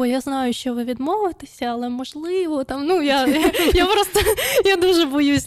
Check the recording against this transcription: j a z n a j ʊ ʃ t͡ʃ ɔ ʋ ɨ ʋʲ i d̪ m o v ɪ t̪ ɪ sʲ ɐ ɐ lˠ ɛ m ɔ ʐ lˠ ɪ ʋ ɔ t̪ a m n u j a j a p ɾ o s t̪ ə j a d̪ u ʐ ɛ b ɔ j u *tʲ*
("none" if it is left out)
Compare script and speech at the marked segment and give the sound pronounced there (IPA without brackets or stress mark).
sʲ